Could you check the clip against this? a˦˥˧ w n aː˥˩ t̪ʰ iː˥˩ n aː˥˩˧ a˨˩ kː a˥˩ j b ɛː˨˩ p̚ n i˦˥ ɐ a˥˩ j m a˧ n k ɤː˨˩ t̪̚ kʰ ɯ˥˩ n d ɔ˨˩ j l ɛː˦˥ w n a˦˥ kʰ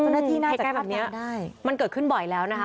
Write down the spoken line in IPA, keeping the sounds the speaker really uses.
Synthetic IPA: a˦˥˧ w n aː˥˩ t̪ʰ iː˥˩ n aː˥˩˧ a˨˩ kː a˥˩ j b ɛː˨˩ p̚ n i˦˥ ɐ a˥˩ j m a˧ n k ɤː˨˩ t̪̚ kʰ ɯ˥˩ n b ɔ˨˩ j l ɛː˦˥ w n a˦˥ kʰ